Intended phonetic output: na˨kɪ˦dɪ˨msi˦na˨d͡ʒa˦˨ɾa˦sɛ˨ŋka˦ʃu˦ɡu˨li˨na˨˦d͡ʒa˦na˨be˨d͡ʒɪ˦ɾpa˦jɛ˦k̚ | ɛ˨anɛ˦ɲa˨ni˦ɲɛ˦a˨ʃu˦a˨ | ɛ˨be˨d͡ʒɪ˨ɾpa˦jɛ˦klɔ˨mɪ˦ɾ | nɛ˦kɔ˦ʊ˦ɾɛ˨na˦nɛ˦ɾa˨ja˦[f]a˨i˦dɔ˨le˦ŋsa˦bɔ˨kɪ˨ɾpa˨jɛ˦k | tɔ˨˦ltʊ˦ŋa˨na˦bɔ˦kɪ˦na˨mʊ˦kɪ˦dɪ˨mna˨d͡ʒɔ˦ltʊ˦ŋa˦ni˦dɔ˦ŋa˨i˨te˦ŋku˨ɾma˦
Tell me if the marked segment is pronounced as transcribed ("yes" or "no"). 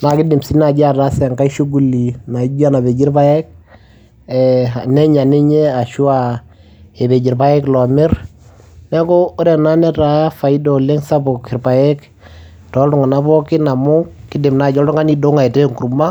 yes